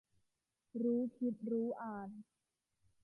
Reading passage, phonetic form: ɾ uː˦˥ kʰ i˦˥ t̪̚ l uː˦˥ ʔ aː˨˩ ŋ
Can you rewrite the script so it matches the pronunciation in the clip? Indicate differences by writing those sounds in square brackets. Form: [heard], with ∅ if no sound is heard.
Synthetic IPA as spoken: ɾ uː˦˥ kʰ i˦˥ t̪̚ [ɾ] uː˦˥ ʔ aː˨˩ [n]